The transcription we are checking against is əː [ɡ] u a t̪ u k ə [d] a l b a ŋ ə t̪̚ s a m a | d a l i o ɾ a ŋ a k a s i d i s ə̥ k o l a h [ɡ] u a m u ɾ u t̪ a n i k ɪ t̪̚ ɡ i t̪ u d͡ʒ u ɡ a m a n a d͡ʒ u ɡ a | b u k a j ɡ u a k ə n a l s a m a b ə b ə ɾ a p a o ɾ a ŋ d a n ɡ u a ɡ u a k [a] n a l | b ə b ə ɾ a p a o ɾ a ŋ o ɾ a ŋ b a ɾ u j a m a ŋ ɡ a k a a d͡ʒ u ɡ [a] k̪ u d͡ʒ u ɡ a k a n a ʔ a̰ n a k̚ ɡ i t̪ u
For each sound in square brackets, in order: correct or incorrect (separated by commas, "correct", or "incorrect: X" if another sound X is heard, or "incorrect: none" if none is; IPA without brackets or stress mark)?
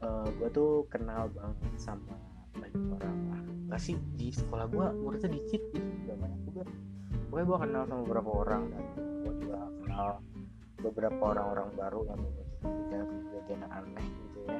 correct, incorrect: n, correct, incorrect: ə, correct